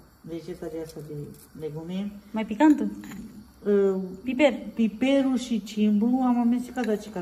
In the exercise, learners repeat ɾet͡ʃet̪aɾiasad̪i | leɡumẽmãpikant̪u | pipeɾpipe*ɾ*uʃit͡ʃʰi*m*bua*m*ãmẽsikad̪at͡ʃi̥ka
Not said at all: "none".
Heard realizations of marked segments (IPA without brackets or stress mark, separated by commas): ɾ, m, m